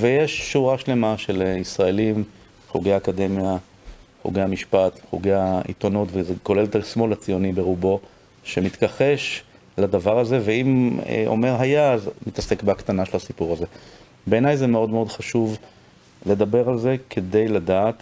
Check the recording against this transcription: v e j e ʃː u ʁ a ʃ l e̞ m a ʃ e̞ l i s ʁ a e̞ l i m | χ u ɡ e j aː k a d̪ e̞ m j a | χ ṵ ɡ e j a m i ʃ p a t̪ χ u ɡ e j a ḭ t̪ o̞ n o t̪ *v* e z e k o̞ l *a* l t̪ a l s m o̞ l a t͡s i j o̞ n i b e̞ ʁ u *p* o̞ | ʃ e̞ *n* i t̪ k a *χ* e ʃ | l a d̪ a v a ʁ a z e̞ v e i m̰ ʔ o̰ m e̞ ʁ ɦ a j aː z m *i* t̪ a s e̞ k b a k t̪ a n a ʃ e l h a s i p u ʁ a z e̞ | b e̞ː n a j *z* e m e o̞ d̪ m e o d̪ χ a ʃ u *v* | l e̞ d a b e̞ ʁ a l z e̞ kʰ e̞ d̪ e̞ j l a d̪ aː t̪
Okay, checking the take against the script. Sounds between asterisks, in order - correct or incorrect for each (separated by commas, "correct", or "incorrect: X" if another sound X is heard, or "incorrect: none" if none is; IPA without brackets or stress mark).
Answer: correct, incorrect: e, incorrect: b, incorrect: m, correct, correct, correct, correct